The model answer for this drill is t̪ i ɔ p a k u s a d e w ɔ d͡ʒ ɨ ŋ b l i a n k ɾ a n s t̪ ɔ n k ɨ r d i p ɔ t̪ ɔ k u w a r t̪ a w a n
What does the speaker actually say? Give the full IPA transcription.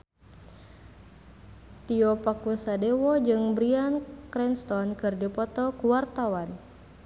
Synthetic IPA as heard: t̪ i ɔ p a k u s a d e w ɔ d͡ʒ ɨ ŋ b ɾ i a n k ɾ ɛ n s t̪ ɔ n k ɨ r d i p ɔ t̪ ɔ k u w a r t̪ a w a n